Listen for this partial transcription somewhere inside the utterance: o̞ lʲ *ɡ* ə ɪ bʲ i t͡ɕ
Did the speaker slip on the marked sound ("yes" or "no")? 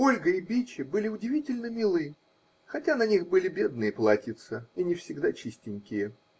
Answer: no